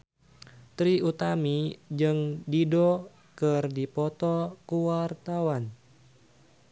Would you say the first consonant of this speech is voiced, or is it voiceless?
voiceless